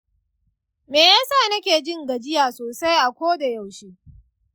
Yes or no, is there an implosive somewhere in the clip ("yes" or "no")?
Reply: no